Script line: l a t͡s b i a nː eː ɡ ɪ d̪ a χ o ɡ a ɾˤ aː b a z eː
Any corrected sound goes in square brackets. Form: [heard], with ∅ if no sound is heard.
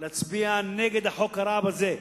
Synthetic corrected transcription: l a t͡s b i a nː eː ɡ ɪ d̪ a [ħ] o [k] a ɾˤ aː b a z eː